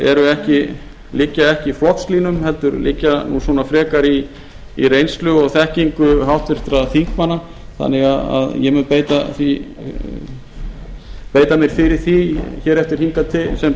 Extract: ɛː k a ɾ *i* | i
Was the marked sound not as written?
no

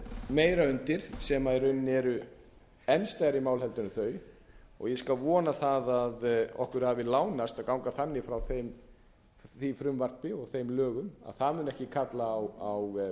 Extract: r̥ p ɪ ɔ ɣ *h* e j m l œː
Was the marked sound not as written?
yes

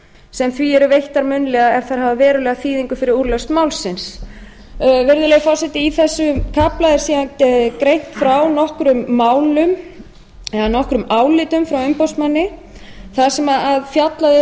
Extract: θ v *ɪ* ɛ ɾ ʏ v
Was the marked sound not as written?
yes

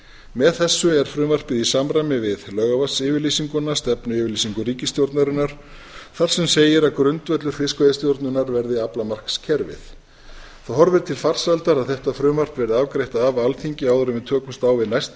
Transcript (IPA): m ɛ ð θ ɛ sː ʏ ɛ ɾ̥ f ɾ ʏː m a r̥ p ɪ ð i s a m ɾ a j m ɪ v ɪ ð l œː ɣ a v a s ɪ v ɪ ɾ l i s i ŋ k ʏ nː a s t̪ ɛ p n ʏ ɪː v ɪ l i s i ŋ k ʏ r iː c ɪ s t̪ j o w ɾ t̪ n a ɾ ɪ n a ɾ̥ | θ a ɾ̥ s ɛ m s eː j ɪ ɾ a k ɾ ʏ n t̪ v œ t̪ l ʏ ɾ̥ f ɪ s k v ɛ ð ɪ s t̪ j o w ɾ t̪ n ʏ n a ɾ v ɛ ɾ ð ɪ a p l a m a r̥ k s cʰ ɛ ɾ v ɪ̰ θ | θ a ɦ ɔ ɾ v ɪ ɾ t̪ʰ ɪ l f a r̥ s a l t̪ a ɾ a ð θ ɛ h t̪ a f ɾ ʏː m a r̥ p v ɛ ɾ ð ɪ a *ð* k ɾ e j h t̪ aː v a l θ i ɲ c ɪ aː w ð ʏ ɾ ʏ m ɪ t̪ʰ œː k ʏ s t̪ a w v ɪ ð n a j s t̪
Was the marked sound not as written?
yes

